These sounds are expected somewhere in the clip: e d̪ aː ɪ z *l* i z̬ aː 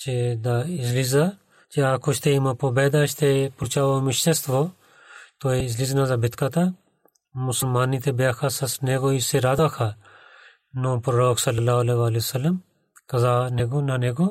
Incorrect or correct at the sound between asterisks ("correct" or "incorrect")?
correct